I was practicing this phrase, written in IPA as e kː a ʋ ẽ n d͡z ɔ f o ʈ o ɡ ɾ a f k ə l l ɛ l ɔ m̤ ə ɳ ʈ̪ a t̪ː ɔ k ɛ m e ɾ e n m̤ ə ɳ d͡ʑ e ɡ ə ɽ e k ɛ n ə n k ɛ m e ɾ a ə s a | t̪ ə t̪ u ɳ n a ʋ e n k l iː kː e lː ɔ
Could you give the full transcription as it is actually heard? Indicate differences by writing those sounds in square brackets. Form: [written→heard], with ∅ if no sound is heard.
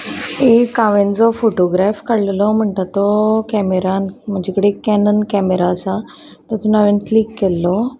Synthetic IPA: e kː a ʋ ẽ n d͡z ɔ f o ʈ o ɡ ɾ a f k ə [l→ɽ] l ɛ l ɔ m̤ ə ɳ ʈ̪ a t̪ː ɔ k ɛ m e ɾ [e→a] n m̤ ə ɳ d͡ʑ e [ɡ→k] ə ɽ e k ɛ n ə n k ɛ m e ɾ a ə s a | t̪ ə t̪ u [ɳ→∅] n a ʋ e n k l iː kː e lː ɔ